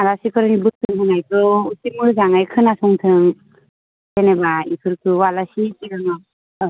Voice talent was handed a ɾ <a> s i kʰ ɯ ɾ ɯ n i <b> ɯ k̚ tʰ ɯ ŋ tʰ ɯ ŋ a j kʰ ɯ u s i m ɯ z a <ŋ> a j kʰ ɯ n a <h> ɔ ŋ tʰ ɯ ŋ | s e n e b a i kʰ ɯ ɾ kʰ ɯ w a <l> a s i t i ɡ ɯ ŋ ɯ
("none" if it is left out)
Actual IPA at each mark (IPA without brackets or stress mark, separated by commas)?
a, b, ŋ, s, l